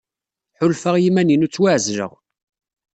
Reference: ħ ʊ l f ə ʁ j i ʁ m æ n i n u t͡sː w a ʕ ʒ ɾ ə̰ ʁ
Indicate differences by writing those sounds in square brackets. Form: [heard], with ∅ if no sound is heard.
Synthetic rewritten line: ħ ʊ l f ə ʁ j i [∅] m æ n i n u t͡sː w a ʕ [z] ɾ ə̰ ʁ